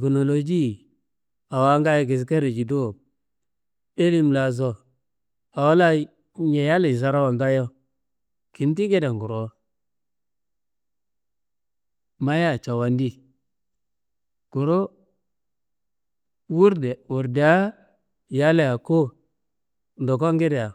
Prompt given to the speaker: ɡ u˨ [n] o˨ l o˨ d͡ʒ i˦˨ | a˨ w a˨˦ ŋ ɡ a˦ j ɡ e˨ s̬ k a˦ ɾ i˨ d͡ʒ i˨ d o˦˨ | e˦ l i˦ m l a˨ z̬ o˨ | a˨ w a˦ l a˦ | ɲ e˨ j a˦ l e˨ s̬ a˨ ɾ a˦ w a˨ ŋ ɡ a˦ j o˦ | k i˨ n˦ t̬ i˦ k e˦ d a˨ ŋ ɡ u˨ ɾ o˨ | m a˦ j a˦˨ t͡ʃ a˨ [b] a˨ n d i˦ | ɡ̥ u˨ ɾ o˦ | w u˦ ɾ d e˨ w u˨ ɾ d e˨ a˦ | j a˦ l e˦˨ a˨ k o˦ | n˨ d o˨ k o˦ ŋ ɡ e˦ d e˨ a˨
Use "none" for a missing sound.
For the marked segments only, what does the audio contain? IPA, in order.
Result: n, w

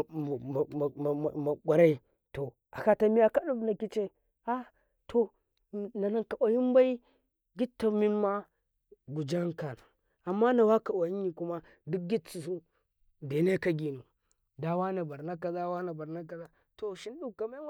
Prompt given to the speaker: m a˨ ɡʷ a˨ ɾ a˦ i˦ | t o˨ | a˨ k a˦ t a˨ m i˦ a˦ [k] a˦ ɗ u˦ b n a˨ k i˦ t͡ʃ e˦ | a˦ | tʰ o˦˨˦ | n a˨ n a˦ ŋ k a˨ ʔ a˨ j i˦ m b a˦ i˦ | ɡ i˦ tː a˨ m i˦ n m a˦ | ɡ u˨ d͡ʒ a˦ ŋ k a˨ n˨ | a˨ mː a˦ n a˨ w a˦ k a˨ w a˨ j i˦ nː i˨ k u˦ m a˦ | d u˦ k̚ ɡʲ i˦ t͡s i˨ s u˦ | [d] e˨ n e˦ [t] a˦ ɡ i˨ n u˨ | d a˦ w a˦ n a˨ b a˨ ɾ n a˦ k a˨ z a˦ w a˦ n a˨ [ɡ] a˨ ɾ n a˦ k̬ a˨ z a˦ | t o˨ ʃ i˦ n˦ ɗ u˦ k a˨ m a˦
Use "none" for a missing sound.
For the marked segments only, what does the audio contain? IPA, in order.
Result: k, d, k, b

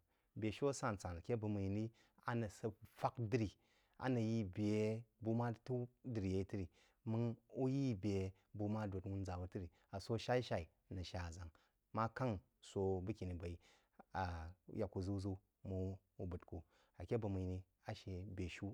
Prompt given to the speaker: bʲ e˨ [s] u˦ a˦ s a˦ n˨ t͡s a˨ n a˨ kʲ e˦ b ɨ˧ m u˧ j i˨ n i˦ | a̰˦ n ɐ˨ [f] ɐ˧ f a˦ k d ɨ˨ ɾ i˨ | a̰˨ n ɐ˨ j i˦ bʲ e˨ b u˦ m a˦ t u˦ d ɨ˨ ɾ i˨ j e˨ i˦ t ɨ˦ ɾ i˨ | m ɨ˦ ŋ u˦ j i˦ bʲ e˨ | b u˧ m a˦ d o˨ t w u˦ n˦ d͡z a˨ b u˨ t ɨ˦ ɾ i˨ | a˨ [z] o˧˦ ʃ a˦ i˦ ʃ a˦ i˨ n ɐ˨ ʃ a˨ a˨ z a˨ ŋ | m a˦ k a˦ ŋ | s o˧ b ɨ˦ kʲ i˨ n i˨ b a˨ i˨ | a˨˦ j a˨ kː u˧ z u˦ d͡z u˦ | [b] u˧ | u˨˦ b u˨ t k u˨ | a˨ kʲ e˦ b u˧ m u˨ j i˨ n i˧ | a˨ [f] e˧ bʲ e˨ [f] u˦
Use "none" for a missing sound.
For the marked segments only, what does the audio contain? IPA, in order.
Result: ʃ, s, s, m, ʃ, ʃ

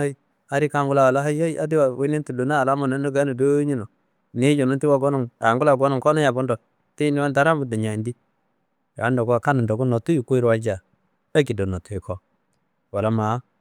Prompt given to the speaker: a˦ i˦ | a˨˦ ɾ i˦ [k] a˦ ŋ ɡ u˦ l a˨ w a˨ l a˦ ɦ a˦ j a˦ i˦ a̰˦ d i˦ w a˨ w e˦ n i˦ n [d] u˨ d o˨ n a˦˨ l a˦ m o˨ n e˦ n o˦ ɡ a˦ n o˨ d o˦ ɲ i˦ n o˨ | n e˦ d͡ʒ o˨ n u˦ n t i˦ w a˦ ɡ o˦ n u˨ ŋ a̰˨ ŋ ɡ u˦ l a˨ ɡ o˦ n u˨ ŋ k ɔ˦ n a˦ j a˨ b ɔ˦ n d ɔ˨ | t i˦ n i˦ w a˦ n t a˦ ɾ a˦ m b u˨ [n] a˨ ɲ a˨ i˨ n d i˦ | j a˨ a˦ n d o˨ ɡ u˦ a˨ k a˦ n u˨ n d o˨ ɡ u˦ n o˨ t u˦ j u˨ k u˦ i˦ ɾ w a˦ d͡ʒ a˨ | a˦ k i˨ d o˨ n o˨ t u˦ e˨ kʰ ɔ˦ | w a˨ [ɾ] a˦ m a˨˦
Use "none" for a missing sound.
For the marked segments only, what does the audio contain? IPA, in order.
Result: k, t, d, l

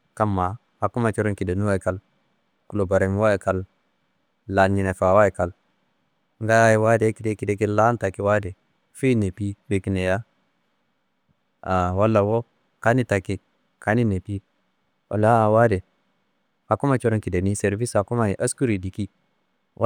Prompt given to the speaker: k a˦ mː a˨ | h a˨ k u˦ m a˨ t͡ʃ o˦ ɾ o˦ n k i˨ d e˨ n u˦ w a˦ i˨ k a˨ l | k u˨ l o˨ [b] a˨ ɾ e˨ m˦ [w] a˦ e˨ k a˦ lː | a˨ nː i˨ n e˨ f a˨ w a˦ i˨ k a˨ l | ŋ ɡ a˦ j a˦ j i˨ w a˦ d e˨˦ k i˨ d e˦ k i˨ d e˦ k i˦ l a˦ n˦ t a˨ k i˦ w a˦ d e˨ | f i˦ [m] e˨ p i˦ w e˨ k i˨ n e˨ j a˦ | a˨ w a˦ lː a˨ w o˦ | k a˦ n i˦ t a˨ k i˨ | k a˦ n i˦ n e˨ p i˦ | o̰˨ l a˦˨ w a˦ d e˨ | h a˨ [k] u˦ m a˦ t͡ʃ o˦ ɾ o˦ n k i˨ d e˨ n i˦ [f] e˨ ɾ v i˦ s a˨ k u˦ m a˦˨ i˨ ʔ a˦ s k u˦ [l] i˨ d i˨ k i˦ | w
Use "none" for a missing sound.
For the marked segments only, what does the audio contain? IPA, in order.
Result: b, w, n, k, s, ɾ

